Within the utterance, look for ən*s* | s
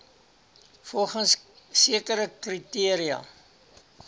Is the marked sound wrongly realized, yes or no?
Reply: no